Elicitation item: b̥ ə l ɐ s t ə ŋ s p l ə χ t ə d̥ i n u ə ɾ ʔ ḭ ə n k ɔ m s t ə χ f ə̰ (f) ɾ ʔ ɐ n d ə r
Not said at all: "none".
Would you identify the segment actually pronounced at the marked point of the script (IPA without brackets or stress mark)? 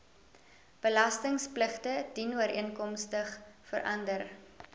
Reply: none